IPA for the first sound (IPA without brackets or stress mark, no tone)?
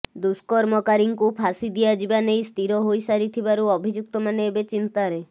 d̪